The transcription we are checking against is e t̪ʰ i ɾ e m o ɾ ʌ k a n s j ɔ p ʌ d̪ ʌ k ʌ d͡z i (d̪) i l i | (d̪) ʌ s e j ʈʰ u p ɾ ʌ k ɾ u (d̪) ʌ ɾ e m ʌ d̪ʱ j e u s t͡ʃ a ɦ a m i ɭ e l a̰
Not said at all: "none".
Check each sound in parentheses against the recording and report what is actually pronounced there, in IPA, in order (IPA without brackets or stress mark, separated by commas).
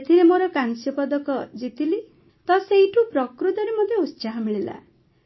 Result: t̪, t̪, t̪